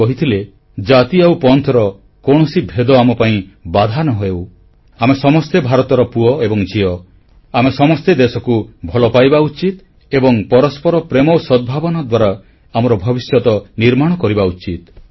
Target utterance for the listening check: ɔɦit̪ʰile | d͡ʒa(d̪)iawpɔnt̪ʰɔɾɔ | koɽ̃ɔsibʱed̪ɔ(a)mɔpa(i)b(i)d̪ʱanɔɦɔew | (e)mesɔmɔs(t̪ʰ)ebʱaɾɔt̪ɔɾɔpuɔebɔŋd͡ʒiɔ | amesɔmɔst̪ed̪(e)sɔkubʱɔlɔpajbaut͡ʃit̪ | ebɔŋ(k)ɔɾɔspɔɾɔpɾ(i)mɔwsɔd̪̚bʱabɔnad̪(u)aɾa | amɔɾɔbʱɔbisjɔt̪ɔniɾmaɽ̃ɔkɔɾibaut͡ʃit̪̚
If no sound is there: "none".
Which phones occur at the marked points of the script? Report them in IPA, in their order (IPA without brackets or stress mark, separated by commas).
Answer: t̪, a, ĩ, a, a, t̪, e, p, e, w